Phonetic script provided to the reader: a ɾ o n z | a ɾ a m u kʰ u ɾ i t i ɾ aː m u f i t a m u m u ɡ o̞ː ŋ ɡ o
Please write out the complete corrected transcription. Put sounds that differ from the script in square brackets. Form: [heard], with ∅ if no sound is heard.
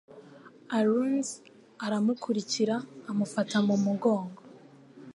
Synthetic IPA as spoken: a ɾ [u] n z | a ɾ a m u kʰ u ɾ i [c] i ɾ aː m u f [a] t a m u m u ɡ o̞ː ŋ ɡ o